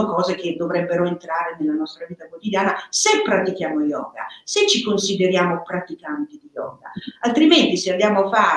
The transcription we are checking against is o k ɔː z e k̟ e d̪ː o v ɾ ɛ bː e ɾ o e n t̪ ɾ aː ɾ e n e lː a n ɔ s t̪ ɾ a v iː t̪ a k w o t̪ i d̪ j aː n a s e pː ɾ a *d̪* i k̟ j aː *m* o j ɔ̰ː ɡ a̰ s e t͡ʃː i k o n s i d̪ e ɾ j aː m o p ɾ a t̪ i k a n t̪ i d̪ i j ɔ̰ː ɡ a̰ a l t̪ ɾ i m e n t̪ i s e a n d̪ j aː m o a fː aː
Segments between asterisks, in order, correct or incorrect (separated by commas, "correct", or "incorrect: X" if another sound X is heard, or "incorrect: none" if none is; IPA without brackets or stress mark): incorrect: t̪, correct